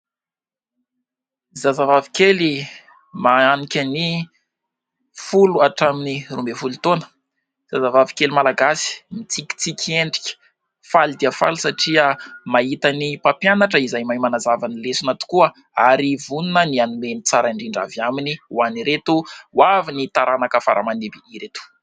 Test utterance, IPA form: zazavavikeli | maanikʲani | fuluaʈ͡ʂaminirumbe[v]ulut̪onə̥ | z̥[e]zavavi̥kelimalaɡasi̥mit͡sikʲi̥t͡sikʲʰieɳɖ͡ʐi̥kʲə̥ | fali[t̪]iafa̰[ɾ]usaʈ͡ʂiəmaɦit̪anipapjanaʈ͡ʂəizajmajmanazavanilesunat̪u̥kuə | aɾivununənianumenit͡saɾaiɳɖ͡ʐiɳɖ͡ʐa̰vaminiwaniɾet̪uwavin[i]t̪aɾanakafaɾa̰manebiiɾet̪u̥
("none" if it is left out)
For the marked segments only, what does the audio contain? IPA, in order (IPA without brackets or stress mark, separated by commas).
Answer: f, a, d̪, l, i